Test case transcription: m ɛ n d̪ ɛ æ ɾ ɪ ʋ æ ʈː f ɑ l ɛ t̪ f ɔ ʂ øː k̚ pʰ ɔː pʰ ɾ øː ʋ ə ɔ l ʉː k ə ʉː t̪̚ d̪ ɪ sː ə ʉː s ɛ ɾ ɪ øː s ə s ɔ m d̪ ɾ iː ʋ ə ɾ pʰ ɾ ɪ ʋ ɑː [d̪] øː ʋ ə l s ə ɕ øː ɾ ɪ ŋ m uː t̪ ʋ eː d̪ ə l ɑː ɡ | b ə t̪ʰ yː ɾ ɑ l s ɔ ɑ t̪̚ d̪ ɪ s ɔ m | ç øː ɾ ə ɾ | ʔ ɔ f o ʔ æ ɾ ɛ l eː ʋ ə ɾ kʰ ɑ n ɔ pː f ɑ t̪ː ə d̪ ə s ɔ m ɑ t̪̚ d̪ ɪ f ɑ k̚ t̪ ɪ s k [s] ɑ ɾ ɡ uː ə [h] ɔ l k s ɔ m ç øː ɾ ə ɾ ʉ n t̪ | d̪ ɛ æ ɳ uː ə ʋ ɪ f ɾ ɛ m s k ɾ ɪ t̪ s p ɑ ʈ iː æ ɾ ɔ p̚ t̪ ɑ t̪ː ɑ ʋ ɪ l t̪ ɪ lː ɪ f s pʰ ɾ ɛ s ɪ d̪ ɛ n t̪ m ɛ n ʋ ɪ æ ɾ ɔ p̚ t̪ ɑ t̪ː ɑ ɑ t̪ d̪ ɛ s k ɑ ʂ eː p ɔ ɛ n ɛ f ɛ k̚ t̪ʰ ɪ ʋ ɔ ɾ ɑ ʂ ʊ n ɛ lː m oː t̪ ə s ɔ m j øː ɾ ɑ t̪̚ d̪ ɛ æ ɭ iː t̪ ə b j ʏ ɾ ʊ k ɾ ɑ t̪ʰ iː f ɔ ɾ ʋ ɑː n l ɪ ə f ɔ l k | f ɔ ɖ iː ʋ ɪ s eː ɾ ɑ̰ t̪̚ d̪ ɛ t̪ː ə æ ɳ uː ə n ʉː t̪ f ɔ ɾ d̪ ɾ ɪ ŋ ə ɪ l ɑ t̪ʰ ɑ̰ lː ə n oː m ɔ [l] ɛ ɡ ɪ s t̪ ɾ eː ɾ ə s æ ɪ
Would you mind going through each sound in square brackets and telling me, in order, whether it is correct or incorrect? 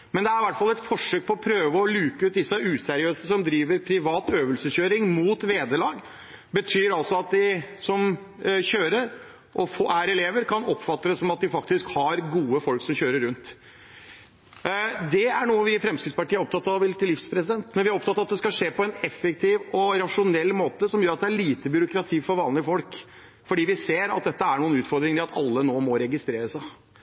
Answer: incorrect: t̪, incorrect: h, incorrect: f, incorrect: ɾ

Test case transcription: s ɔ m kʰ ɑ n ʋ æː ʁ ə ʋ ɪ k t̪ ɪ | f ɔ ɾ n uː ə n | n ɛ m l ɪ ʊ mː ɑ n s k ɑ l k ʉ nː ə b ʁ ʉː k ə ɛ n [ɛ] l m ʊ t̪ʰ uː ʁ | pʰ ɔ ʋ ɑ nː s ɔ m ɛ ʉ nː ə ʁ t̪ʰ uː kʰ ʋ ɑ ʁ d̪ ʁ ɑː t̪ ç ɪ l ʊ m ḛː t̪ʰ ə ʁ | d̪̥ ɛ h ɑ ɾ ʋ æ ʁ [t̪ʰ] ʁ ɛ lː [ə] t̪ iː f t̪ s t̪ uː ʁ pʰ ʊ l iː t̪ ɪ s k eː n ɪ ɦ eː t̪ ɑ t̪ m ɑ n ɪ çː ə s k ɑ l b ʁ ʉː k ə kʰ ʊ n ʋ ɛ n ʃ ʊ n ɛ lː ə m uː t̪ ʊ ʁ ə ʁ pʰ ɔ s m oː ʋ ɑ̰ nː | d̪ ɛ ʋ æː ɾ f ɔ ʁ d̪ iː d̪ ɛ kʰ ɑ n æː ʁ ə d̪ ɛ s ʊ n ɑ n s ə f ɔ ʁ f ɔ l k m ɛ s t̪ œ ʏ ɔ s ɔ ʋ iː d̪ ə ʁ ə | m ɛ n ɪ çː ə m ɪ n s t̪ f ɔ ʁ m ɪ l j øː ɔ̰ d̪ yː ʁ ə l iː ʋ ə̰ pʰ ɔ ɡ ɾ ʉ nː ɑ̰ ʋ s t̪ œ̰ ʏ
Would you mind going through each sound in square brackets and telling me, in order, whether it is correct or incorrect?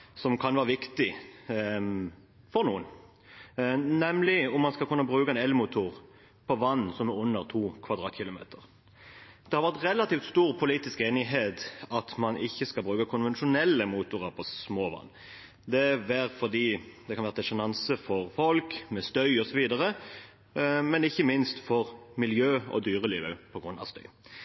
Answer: correct, incorrect: t̪, incorrect: ɑ

